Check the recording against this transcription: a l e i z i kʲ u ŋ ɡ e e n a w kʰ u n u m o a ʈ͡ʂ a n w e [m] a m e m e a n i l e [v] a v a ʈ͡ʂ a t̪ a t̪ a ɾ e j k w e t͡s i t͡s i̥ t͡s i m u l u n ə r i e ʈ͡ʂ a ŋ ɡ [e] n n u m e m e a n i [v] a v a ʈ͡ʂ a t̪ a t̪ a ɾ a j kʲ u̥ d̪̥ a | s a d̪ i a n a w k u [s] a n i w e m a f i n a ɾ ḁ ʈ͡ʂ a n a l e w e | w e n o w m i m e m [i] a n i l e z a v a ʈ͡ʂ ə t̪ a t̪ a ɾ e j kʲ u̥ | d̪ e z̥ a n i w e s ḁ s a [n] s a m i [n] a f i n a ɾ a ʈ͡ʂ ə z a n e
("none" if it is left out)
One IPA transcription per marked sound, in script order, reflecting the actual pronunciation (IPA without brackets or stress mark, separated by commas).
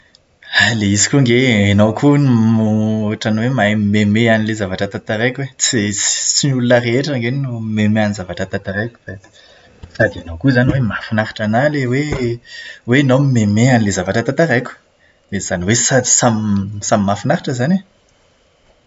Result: m, z, e, z, z, e, m, m